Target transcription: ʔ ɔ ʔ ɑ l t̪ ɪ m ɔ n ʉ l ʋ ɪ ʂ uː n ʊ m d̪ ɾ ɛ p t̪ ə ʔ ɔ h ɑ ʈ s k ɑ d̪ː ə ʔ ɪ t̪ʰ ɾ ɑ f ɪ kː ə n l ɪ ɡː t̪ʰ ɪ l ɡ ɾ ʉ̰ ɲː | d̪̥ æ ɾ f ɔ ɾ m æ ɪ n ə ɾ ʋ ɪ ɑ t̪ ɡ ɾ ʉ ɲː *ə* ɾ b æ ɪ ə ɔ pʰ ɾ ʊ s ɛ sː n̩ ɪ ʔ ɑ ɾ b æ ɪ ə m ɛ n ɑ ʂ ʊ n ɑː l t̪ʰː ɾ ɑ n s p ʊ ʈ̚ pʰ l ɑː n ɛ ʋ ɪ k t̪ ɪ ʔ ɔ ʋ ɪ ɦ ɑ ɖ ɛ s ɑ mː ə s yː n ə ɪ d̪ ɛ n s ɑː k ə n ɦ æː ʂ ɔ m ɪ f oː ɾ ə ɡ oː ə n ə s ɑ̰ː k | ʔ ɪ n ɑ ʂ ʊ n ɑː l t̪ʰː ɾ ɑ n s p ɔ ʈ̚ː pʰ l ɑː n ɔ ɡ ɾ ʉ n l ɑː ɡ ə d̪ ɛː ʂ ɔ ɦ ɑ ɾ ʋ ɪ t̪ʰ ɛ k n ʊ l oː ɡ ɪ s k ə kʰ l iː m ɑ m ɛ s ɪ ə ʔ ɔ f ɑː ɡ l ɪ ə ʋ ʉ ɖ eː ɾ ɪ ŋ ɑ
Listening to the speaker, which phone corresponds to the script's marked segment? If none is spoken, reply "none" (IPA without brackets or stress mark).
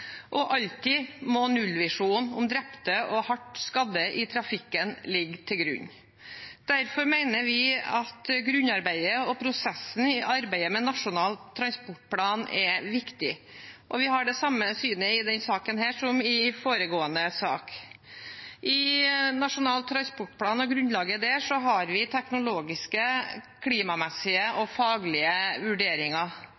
ɑ